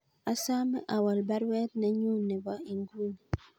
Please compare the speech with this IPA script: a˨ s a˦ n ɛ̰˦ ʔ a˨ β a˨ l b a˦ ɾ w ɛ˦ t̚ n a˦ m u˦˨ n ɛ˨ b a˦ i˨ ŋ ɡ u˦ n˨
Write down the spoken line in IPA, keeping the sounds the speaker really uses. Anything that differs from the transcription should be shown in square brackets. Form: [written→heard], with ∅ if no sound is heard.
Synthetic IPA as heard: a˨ s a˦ [n→m] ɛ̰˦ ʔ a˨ [β→w] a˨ l b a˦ ɾ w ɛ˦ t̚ n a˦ [m→ɲ] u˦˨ n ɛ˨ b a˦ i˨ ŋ ɡ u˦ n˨